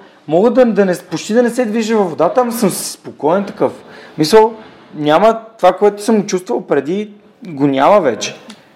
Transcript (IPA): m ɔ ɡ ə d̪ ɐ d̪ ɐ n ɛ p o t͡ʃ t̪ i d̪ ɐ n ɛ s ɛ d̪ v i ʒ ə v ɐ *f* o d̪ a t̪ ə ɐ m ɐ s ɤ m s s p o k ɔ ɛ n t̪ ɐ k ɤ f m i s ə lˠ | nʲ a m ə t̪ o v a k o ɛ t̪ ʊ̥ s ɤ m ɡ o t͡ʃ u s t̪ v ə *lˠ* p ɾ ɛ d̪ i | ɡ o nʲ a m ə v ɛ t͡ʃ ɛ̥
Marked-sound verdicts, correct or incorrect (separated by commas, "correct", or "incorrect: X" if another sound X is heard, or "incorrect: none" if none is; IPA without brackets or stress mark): incorrect: v, correct